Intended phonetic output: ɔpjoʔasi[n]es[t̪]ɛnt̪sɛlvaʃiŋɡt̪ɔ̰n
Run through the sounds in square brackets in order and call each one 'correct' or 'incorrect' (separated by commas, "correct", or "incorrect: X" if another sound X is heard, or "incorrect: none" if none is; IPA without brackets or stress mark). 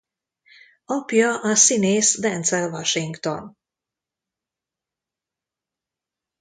correct, incorrect: d̪